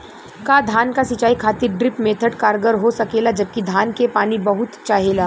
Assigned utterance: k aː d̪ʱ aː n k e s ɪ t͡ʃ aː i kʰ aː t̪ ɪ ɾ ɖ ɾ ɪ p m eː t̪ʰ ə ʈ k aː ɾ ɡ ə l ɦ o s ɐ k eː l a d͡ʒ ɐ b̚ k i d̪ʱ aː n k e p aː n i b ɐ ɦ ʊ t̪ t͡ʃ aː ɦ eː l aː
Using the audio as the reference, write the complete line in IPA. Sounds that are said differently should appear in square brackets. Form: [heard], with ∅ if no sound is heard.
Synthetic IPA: k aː d̪ʱ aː n k [a] s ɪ t͡ʃ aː i kʰ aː t̪ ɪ ɾ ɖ ɾ ɪ p m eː t̪ʰ ə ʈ k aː ɾ ɡ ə [ɾ] ɦ o s ɐ k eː l a d͡ʒ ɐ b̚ k i d̪ʱ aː n k e p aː n i b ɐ ɦ ʊ t̪ t͡ʃ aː ɦ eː l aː